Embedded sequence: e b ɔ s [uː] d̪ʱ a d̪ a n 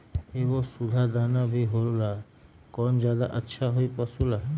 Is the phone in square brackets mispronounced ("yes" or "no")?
yes